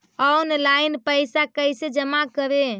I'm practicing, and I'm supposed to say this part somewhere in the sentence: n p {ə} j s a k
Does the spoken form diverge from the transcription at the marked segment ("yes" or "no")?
no